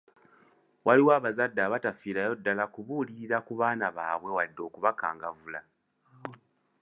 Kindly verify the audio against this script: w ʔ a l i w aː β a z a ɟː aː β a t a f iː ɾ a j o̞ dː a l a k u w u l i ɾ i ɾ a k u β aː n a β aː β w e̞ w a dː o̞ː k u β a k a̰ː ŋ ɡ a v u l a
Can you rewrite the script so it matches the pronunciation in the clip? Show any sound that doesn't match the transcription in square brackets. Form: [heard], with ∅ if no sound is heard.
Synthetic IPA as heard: w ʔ a l i w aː β a z a [dː] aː β a t a f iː ɾ a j o̞ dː a l a k u [β] u l i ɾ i ɾ a k u β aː n a β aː β w e̞ w a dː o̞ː k u β a k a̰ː ŋ ɡ a v u l a